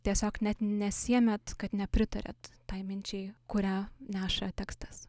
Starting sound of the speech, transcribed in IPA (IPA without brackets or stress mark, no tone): t̪ʲ